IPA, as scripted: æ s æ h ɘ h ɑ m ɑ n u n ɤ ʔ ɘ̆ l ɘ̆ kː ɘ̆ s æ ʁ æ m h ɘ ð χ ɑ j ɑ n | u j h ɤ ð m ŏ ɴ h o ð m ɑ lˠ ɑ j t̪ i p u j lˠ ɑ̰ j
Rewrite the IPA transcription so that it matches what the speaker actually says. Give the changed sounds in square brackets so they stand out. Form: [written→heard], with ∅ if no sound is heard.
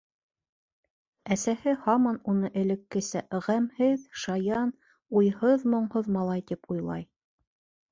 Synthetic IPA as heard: æ s æ h ɘ h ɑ m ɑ n u n ɤ ʔ ɘ̆ l ɘ̆ kː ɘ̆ s æ ʁ æ m h ɘ ð [χ→ʃ] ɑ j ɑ n | u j h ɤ ð m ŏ ɴ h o ð m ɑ lˠ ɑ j t̪ i p u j lˠ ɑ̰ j